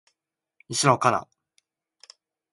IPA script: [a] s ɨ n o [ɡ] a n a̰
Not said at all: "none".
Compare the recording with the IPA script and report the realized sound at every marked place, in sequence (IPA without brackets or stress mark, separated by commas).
i, k